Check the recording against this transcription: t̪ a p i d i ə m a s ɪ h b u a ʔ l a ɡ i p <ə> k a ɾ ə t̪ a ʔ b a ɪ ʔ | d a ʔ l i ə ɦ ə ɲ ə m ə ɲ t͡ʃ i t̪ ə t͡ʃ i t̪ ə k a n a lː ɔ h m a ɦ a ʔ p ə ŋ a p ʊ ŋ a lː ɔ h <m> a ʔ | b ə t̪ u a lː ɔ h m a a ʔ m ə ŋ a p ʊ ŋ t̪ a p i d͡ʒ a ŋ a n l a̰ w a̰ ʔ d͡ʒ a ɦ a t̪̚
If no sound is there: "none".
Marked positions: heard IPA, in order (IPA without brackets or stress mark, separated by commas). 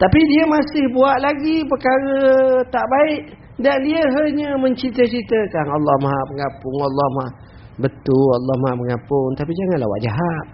ə, m